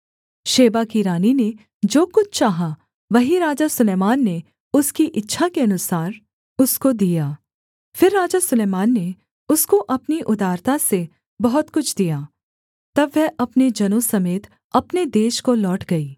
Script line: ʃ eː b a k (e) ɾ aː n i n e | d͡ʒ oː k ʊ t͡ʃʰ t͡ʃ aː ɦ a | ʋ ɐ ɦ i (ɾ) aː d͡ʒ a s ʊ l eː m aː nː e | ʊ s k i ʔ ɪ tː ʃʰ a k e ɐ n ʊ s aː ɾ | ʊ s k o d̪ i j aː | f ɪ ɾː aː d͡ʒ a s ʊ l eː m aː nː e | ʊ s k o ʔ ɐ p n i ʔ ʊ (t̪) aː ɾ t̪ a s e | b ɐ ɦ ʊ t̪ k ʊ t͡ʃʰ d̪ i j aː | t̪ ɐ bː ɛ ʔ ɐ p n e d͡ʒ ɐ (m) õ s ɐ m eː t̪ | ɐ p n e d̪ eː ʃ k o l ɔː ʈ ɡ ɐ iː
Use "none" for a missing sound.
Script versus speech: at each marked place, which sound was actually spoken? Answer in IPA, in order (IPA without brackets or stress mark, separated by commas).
i, ɾ, d̪, n